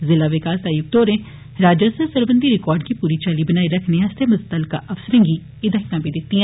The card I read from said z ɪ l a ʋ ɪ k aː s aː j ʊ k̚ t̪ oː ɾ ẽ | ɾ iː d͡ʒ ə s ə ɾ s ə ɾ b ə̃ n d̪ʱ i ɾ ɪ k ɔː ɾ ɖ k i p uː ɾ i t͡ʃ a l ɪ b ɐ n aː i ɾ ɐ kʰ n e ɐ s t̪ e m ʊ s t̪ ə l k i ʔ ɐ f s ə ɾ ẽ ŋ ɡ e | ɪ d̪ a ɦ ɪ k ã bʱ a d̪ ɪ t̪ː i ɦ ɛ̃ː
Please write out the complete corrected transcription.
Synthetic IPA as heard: z ɪ l a ʋ ɪ k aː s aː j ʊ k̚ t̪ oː ɾ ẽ | ɾ aː d͡ʒ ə s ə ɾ s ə ɾ b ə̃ n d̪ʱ i ɾ ɪ k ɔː ɾ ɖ k i p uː ɾ i t͡ʃ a l i b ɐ n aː i ɾ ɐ kʰ n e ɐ s t̪ e m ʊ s t̪ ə l k a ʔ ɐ f s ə ɾ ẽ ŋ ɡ i | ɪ d̪ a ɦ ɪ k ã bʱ i d̪ ɪ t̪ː i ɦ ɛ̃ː